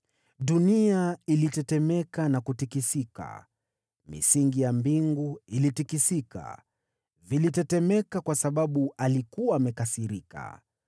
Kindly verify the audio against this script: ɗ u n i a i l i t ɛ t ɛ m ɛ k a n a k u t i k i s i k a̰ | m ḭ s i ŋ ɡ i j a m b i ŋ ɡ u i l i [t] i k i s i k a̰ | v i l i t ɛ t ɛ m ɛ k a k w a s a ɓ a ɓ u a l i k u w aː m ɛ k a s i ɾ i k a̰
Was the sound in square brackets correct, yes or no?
yes